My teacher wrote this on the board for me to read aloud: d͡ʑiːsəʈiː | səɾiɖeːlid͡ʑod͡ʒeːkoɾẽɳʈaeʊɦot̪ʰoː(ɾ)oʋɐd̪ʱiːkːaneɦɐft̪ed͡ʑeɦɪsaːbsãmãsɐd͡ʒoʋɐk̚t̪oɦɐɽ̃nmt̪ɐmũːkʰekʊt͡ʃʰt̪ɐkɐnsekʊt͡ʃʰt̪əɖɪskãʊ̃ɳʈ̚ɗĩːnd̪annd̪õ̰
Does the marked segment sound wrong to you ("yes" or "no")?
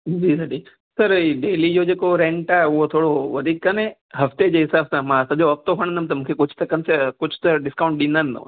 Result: yes